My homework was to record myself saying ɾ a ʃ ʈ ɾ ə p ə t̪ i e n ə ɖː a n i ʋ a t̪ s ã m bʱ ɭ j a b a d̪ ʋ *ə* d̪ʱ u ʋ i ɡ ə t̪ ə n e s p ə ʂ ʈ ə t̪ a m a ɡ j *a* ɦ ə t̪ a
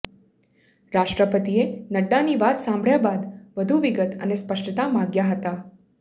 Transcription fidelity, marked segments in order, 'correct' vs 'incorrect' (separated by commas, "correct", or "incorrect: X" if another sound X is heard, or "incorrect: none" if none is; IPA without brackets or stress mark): correct, correct